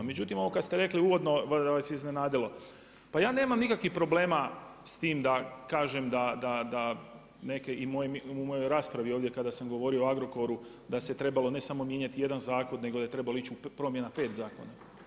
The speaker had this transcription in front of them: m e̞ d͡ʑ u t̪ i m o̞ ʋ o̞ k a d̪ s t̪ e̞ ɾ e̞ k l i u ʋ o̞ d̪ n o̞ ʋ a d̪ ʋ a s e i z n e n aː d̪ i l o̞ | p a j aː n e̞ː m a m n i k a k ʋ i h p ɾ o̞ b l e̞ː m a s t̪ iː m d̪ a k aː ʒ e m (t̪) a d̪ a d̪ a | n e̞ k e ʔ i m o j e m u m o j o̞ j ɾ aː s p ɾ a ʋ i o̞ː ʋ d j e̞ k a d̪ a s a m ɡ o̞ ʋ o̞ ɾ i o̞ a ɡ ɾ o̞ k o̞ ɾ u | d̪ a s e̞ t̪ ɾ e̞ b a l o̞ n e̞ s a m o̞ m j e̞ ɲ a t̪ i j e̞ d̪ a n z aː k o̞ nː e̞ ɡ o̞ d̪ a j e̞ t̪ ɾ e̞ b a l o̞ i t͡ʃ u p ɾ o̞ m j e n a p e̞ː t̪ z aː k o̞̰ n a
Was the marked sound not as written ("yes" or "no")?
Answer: yes